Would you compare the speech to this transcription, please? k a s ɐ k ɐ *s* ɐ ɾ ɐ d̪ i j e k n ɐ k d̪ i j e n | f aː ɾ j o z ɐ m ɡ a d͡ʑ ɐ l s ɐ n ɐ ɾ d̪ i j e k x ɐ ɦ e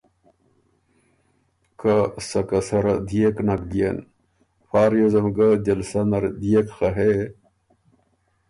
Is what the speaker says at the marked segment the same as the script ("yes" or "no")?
yes